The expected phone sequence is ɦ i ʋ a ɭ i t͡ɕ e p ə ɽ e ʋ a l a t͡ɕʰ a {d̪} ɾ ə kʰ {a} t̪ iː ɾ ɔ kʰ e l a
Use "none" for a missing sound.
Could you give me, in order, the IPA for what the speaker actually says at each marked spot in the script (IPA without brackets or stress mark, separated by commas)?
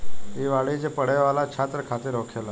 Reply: t̪, a